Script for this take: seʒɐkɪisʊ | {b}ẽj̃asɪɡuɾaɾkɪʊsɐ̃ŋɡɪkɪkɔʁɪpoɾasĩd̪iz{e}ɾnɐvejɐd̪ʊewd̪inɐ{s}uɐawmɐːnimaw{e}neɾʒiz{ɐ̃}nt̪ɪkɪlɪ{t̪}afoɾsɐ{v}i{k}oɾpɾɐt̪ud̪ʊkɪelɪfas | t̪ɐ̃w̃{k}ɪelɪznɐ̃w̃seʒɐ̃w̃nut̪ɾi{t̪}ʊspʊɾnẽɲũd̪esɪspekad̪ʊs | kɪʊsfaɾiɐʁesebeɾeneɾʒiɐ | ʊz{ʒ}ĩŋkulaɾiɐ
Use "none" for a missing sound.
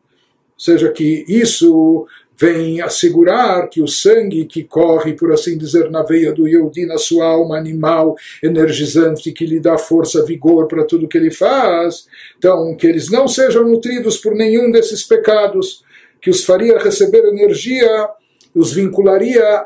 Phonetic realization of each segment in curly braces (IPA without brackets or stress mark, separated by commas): v, e, s, e, ɐ̃, d̪, v, ɡ, k, d̪, v